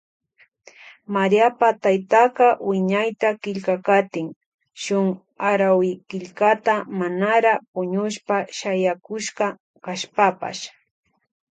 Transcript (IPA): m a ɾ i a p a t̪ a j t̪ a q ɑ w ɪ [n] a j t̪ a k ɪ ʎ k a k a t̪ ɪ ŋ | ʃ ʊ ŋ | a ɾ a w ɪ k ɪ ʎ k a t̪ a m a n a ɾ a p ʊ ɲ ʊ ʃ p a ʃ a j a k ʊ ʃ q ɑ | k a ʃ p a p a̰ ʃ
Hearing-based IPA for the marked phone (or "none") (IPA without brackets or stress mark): ɲ